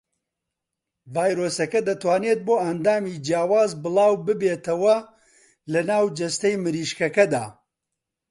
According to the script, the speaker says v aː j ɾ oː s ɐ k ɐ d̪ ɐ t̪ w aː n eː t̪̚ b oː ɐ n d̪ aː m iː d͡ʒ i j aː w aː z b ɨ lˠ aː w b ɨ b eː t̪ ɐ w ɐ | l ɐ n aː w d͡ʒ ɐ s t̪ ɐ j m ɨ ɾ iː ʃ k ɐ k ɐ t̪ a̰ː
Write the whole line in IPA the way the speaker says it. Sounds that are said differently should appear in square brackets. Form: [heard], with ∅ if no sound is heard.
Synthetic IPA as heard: v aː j ɾ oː s ɐ k ɐ d̪ ɐ t̪ w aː n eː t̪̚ b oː ɐ n d̪ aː m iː d͡ʒ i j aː w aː z b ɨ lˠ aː w b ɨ b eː t̪ ɐ w ɐ | l ɐ n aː w d͡ʒ ɐ s t̪ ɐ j m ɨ ɾ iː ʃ k ɐ k ɐ [d̪] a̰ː